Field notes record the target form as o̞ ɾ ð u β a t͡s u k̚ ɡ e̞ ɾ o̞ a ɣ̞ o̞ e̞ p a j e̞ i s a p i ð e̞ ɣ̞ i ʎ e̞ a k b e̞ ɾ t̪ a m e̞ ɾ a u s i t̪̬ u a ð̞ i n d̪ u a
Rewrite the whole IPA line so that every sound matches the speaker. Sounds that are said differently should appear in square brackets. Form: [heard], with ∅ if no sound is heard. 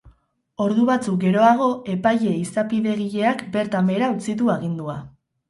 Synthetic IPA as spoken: o̞ ɾ ð u β a t͡s u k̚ ɡ e̞ ɾ o̞ a ɣ̞ o̞ e̞ p a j e̞ i s a p i ð e̞ ɣ̞ i ʎ e̞ a k b e̞ ɾ t̪ a m e̞ ɾ a u [t͡s] i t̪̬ u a [ɣ̞] i n d̪ u a